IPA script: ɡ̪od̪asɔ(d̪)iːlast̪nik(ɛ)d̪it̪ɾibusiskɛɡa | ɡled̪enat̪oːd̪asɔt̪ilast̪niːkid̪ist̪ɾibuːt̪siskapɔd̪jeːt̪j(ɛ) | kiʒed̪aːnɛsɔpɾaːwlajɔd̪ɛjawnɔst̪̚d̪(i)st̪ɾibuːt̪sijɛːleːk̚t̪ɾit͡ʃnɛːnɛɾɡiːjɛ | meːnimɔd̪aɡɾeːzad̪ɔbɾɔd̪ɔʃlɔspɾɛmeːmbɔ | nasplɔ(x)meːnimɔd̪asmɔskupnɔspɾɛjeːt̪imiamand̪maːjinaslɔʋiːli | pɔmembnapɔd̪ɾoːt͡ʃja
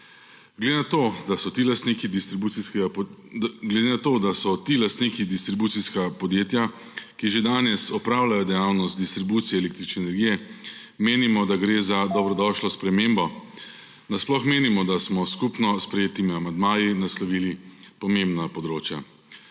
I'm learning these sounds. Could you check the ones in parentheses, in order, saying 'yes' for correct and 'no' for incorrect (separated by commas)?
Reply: no, no, no, yes, yes